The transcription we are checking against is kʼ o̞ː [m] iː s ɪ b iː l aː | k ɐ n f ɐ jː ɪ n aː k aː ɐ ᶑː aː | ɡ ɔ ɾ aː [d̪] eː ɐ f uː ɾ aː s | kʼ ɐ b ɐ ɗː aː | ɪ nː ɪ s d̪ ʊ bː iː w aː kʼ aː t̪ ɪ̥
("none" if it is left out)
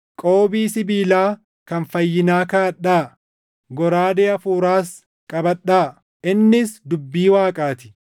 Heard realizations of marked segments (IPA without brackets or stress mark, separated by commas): b, d̪